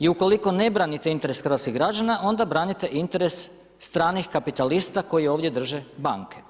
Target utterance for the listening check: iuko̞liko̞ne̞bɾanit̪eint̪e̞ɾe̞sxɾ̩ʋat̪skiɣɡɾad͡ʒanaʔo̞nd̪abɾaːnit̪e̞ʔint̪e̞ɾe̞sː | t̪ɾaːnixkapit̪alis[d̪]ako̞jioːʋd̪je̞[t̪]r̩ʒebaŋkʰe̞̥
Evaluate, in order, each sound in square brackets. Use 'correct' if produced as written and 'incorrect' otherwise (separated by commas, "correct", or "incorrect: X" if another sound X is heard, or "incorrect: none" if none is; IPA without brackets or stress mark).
incorrect: t̪, incorrect: d̪